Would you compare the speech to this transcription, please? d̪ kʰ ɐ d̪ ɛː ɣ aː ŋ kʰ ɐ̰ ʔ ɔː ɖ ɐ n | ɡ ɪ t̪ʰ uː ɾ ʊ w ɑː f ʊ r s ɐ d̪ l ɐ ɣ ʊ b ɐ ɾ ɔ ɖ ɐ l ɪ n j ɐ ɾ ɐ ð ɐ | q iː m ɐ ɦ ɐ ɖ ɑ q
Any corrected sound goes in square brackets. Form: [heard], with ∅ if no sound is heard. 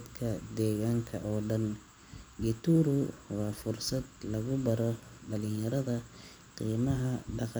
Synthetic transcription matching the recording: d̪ kʰ ɐ d̪ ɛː ɣ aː ŋ kʰ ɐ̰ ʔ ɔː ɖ ɐ n | ɡ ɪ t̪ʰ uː ɾ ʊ w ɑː f ʊ r s ɐ d̪ l ɐ ɣ ʊ b ɐ ɾ ɔ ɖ ɐ l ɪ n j ɐ ɾ ɐ ð ɐ | q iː m ɐ ɦ ɐ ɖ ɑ q